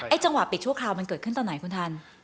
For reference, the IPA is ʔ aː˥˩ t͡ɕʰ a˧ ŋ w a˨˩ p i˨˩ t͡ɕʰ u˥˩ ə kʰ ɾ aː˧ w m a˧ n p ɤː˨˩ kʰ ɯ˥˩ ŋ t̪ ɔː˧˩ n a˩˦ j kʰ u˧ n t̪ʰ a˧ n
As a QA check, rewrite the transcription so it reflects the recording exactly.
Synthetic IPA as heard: ʔ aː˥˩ t͡ɕ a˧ ŋ w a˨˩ p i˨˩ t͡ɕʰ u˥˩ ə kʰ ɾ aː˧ w m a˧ n k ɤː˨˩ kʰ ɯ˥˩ n t̪ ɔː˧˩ n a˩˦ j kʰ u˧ n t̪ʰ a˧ n

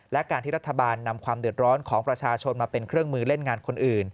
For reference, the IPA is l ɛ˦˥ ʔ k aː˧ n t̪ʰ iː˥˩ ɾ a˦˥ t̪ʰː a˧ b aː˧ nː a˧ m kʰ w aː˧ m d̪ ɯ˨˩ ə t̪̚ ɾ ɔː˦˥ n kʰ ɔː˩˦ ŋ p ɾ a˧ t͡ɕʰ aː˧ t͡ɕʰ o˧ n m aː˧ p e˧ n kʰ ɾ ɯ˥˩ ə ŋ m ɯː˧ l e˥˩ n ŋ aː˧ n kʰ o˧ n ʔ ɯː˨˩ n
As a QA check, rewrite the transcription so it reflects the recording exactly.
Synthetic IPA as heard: l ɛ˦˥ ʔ k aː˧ n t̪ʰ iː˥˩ ɾ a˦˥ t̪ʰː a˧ b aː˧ nː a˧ m kʰ w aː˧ m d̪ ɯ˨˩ ə t̪̚ ɾ ɔː˦˥ n kʰ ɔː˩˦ ŋ p ɾ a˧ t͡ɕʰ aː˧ t͡ɕʰ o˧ n m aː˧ p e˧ n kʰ ɾ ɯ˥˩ ə ŋ m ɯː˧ l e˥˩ n ŋ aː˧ n kʰ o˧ n ʔ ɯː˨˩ n

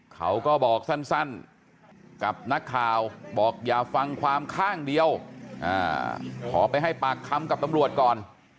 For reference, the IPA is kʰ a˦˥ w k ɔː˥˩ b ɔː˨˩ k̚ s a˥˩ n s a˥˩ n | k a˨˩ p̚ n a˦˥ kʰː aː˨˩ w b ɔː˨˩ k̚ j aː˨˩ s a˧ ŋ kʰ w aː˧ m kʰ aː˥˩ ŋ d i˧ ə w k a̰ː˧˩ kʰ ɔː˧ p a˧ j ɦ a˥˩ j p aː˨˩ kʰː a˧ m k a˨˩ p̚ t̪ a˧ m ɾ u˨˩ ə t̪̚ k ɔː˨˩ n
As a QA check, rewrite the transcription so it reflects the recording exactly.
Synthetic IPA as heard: kʰ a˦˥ w k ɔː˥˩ b ɔː˨˩ k̚ s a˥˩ n s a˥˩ n | k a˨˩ p̚ n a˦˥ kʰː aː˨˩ w b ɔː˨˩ k̚ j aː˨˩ f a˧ ŋ kʰ w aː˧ m kʰ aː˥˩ ŋ d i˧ ə w ʔ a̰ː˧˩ kʰ ɔː˩˦ p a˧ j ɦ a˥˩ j p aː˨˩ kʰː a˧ m k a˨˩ p̚ t̪ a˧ m ɾ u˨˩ ə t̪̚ k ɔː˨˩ n

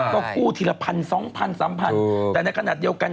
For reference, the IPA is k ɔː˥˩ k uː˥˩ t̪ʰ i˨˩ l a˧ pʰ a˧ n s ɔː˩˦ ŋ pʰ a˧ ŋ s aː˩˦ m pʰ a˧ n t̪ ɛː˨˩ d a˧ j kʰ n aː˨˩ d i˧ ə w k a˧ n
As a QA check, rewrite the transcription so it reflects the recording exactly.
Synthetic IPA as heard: k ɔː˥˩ k uː˥˩ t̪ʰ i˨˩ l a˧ pʰ a˧ n s ɔː˩˦ ŋ pʰ a˧ n s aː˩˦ m pʰ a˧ n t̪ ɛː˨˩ n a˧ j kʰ n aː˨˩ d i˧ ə w k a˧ n

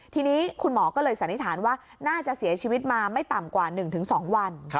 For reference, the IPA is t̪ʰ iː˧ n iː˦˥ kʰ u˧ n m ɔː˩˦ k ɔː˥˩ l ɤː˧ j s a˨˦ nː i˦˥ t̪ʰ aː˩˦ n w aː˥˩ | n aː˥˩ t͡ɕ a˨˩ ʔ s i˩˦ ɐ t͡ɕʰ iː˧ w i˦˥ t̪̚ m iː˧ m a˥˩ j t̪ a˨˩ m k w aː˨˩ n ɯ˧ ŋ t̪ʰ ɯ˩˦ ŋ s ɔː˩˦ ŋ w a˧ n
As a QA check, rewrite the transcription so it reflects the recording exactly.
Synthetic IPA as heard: t̪ʰ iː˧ n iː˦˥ kʰ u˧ n m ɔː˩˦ k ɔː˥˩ l ɤː˧ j s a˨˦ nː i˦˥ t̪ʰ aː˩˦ n w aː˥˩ | n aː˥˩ t͡ɕ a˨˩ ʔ s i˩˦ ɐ t͡ɕʰ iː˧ w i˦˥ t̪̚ m aː˧ m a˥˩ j t̪ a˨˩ m k w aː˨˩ n ɯ˨˩ ŋ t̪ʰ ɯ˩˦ ŋ s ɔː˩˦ ŋ w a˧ n

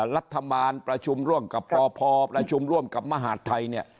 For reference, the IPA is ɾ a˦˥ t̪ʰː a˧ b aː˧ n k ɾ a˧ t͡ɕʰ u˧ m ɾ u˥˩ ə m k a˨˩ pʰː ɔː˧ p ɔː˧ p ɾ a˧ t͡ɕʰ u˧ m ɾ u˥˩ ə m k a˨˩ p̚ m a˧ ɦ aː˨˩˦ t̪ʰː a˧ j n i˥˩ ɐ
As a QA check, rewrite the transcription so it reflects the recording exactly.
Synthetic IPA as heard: ɾ a˦˥ t̪ʰː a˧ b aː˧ n p ɾ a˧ t͡ɕʰ u˧ m ɾ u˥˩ ə m k a˨˩ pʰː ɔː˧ pʰ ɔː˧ p ɾ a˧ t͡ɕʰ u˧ m ɾ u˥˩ ə m k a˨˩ p̚ m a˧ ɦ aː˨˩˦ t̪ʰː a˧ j n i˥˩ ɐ

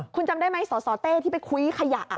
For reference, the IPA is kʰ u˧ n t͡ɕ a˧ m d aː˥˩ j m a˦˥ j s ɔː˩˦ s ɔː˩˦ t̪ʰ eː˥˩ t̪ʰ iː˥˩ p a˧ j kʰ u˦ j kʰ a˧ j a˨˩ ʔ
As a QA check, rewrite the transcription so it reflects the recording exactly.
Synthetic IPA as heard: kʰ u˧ n t͡ɕ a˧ m d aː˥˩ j m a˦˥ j s ɔː˩˦ s ɔː˩˦ t̪ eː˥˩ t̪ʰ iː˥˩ p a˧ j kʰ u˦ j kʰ a˧ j a˨˩ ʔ

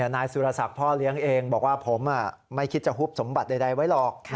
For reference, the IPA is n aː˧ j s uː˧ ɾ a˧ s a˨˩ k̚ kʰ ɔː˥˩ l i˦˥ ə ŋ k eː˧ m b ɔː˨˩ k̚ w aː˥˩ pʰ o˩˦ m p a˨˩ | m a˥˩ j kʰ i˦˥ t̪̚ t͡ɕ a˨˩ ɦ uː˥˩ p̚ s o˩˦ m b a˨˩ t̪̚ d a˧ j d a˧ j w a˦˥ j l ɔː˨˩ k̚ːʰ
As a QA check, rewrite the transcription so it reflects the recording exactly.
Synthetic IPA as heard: n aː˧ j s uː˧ ɾ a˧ s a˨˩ k̚ pʰ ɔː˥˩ l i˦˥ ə ŋ ʔ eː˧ ŋ b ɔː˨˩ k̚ w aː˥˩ pʰ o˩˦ m ʔ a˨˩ | m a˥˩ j kʰ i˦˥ t̪̚ t͡ɕ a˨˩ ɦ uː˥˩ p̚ s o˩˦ m b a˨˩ t̪̚ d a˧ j d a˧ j w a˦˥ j l ɔː˨˩ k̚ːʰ

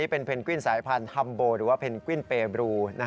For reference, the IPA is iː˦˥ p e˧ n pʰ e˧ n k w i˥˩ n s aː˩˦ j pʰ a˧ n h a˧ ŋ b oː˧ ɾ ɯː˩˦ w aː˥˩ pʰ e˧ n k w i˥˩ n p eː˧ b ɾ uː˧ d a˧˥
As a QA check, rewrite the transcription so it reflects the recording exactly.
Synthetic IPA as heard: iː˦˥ p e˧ n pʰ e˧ n k w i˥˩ n s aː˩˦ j pʰ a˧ n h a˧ m b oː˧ ɾ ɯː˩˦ w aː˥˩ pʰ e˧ n k w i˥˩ n p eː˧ b ɾ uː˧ n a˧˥

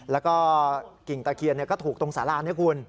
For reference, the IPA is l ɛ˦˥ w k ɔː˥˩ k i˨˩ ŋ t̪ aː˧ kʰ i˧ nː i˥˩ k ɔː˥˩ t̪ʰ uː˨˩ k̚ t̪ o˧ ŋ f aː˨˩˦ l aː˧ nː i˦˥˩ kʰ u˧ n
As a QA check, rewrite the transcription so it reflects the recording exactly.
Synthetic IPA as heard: l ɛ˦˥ w k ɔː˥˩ k i˨˩ ŋ t̪ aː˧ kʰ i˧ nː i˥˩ k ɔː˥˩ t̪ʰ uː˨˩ k̚ t̪ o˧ ŋ s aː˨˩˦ l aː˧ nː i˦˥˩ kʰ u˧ n

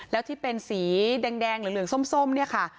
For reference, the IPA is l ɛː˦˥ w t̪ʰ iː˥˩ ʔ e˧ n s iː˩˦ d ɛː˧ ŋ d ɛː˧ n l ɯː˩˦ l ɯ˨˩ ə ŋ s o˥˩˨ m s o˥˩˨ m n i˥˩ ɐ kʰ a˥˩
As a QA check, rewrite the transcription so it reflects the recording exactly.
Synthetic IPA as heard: l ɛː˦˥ w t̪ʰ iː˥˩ p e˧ n s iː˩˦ d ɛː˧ ŋ d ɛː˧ ŋ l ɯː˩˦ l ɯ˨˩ ə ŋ s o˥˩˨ m s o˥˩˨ m n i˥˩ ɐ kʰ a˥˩

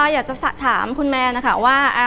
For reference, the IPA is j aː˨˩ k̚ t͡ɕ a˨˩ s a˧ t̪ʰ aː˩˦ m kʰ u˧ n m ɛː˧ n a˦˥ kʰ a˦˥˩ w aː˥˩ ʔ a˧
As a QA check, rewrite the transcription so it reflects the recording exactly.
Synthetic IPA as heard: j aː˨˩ k̚ t͡ɕ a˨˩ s a˨˩ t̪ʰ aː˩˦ m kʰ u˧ n m ɛː˧ n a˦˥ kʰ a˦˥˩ w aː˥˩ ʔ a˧

